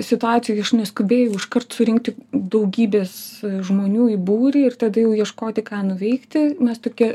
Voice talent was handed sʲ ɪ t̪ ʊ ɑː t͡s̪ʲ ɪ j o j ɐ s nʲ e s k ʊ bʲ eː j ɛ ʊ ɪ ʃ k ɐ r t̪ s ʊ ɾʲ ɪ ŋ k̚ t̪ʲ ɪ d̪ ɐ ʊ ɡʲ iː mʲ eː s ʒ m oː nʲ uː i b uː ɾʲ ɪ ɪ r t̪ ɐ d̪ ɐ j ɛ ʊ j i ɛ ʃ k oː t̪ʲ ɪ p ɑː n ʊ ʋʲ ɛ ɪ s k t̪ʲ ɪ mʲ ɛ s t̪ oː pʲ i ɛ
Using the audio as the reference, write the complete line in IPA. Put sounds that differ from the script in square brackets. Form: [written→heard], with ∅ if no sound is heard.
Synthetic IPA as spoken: sʲ ɪ t̪ ʊ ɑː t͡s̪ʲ ɪ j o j ɐ [s→ʃ] nʲ [e→ɛ] s k ʊ bʲ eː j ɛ ʊ ɪ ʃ k ɐ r t̪ s ʊ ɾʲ ɪ ŋ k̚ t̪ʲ ɪ d̪ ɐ ʊ ɡʲ iː [mʲ→bʲ] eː s ʒ m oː nʲ uː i b uː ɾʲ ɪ ɪ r t̪ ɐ d̪ ɐ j ɛ ʊ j i ɛ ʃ k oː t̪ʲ ɪ [p→k] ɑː n ʊ ʋʲ ɛ ɪ [s→∅] k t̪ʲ ɪ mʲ ɛ s t̪ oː [pʲ→kʲ] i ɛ